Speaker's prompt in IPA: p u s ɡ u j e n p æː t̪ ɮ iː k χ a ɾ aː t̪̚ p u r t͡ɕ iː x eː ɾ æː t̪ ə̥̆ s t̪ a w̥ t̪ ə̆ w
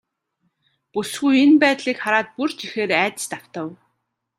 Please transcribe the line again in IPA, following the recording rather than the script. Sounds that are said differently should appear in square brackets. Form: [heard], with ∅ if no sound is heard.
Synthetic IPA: p u s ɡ u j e n p æː t̪ ɮ iː k χ a ɾ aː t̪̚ p u r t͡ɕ [i] x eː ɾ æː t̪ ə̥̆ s t̪ a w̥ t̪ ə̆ w